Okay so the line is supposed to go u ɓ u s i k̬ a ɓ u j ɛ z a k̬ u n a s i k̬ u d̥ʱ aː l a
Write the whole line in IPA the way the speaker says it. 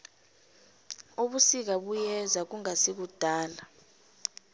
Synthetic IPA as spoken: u ɓ u s i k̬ a ɓ u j ɛ z a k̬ u ŋ a s i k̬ u d̥ʱ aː l a

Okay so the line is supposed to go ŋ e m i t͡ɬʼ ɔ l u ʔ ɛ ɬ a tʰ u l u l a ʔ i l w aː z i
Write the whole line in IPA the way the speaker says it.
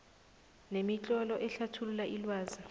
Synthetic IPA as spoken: n e m i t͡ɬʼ ɔ l ɔ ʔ ɛ ɬ a tʰ u l u l a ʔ i l w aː z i

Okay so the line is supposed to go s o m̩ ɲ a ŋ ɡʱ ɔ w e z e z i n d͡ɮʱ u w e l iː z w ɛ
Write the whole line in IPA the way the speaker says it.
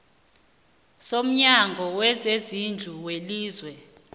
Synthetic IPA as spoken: s o m̩ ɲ a ŋ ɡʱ ɔ w ɛ z e z i n d͡ɮʱ u w e l iː z w ɛ

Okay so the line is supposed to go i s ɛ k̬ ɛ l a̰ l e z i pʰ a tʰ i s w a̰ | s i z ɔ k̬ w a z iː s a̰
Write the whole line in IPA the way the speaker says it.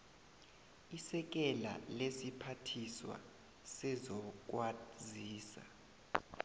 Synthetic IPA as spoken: i s ɛ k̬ ɛ l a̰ l e s i pʰ a tʰ i s w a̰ | s ɛ z ɔ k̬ w a z iː s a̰

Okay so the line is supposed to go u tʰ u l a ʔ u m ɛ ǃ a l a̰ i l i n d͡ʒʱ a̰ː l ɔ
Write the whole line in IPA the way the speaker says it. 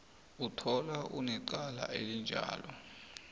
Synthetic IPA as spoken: u tʰ ɔ l a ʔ u n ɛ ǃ a l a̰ e l i n d͡ʒʱ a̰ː l ɔ

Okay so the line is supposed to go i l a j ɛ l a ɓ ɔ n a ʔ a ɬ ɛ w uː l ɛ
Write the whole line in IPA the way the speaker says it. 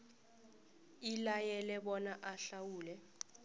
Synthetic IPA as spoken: i l a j ɛ l ɛ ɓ ɔ n a ʔ a ɬ a w uː l ɛ

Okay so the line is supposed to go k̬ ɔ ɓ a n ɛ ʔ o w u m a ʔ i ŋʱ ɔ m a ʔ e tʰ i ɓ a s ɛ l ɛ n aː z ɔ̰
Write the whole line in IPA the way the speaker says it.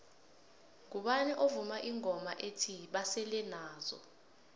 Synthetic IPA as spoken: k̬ u ɓ a n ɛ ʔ o v u m a ʔ i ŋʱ ɔ m a ʔ e tʰ i ɓ a s ɛ l ɛ n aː z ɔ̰

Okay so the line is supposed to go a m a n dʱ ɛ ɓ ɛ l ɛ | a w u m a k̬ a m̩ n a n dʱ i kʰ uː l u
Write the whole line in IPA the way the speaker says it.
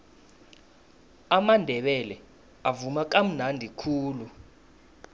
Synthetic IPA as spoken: a m a n dʱ ɛ ɓ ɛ l ɛ | a v u m a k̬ a m̩ n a n dʱ i kʰ uː l u

